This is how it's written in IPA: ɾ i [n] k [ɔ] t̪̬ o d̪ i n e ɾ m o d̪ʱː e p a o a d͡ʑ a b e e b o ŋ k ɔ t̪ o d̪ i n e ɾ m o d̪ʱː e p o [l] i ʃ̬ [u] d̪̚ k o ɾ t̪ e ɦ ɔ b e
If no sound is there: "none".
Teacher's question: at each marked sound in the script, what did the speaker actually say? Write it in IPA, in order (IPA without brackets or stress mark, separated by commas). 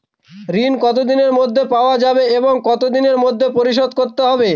n, ɔ, ɾ, o